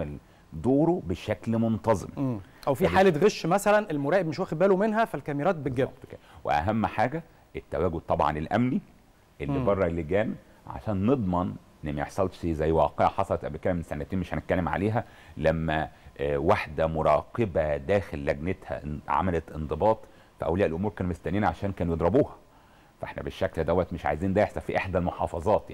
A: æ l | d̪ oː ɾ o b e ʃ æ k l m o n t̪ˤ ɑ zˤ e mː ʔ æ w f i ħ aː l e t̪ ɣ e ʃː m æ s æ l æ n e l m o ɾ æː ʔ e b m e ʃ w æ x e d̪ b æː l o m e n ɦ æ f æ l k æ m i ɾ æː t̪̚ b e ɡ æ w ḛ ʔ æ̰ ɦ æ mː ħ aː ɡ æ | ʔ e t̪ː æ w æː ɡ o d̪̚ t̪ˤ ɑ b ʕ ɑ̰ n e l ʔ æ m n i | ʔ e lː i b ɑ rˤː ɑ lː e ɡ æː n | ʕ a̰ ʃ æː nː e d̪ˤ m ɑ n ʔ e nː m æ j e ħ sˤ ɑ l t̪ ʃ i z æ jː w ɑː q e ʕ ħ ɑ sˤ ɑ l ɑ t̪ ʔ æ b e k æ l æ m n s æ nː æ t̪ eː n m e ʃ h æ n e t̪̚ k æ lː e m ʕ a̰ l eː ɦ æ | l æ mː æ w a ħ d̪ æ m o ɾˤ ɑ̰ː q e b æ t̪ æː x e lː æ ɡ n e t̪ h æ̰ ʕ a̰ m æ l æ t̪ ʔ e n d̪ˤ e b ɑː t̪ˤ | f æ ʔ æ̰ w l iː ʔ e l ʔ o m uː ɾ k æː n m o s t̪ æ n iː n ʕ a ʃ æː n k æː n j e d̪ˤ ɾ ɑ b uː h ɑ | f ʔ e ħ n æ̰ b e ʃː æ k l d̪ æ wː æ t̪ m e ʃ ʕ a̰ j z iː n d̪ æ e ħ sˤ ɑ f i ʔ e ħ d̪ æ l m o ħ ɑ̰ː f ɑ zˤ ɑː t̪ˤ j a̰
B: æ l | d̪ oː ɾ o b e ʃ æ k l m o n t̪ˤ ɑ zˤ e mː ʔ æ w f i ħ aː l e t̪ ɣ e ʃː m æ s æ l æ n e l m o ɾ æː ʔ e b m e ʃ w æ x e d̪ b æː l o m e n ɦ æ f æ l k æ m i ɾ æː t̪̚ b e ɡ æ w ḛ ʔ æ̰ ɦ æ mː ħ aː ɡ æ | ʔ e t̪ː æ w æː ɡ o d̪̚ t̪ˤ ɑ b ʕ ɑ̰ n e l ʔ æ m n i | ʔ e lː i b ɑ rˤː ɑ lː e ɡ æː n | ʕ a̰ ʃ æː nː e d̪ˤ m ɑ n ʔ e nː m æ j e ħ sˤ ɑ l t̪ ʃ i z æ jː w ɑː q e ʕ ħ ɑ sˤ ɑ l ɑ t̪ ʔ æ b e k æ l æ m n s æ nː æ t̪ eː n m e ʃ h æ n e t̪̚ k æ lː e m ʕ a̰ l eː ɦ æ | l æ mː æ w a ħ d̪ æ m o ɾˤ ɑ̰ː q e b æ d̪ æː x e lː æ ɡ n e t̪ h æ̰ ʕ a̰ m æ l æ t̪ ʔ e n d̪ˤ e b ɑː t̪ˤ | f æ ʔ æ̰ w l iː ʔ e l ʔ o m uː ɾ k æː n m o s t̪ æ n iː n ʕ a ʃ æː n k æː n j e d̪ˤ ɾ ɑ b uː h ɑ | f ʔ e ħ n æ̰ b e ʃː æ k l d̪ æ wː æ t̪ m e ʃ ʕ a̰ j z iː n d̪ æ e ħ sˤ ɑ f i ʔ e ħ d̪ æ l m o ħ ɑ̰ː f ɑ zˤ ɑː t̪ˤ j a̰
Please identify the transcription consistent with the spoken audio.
B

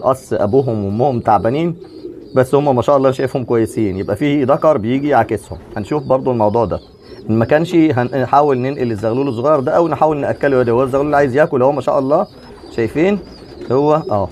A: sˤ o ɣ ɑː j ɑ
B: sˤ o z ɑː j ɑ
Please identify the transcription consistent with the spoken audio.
A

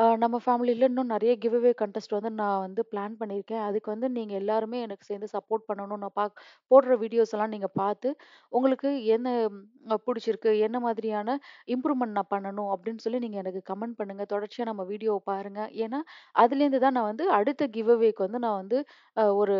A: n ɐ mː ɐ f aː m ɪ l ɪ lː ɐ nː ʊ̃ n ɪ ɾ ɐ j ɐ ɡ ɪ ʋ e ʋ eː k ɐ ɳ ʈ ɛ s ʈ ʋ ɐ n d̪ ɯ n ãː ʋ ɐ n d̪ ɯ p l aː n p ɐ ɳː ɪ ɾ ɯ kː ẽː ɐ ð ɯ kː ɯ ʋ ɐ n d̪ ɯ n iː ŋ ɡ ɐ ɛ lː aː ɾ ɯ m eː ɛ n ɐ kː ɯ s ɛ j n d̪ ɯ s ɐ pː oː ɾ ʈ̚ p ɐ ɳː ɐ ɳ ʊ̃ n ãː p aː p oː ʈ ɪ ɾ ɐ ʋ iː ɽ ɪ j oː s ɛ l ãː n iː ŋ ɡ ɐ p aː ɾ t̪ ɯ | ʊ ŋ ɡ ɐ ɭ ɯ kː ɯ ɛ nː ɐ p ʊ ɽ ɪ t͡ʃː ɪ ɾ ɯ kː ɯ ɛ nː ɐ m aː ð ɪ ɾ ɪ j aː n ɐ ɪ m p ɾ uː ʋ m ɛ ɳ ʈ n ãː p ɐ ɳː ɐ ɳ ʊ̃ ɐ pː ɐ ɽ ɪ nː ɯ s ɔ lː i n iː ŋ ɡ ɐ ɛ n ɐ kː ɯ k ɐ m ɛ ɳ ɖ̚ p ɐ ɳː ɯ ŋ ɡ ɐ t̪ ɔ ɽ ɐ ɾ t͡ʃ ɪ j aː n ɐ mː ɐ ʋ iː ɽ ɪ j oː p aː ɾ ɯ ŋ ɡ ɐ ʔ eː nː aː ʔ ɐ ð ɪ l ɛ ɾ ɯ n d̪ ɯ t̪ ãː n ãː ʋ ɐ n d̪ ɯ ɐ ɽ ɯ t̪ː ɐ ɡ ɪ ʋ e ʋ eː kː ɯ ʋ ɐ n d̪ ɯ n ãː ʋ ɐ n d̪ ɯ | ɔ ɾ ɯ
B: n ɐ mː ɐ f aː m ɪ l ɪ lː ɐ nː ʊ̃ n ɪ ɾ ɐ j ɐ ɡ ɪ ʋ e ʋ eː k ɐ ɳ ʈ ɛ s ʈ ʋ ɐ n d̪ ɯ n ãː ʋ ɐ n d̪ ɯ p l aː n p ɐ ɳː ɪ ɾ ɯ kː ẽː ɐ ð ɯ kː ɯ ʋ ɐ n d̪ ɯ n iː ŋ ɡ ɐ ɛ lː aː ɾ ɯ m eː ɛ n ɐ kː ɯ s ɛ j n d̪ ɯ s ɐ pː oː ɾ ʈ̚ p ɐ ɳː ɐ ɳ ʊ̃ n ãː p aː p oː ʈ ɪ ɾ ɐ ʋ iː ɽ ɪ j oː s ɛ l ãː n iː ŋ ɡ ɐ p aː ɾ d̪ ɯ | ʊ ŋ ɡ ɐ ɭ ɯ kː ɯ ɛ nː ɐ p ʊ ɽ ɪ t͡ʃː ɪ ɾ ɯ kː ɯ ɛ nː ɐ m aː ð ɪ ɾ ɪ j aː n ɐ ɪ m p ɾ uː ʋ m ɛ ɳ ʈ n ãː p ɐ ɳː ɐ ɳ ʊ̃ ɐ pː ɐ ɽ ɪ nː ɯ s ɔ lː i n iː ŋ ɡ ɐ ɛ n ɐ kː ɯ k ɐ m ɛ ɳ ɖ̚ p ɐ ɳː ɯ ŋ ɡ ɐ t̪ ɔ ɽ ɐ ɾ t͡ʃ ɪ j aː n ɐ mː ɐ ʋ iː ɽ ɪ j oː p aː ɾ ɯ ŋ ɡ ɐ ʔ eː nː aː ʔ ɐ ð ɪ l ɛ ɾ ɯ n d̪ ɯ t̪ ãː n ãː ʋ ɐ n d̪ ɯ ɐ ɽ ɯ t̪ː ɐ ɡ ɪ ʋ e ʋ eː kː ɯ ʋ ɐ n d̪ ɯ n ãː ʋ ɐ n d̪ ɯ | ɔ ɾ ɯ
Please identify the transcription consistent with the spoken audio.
A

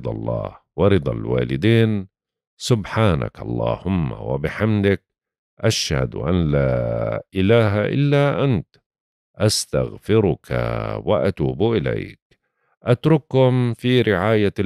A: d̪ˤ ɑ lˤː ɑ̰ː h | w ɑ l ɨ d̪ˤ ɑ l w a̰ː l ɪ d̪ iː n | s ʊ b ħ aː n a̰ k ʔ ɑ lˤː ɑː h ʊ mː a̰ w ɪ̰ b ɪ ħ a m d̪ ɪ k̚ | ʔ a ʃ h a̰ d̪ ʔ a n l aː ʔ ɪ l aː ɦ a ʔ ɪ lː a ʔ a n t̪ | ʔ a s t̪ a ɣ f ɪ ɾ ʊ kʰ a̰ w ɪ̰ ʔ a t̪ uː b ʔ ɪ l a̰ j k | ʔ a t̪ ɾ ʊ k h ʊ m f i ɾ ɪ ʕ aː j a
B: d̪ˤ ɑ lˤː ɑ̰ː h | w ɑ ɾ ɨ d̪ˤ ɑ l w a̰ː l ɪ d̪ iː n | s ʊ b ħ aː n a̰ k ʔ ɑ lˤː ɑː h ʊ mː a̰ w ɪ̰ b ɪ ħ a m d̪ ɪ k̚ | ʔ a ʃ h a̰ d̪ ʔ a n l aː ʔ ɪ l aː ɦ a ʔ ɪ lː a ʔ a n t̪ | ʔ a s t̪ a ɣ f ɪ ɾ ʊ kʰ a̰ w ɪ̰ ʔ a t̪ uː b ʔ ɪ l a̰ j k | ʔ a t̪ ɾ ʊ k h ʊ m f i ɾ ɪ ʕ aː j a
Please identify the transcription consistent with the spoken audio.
B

